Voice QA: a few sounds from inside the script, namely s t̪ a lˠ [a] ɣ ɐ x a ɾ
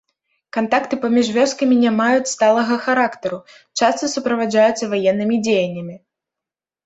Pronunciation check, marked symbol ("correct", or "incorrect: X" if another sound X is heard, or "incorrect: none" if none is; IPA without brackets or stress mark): incorrect: ɐ